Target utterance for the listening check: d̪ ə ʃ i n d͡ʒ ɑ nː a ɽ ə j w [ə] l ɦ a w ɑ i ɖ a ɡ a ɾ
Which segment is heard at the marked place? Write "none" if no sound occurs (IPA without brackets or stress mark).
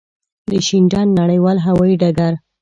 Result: ɑ